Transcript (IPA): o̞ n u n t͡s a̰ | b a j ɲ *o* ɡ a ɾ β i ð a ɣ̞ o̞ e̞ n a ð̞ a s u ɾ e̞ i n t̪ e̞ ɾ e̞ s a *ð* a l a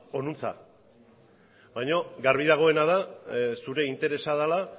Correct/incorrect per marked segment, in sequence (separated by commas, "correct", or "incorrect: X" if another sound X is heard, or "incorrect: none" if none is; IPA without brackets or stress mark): correct, correct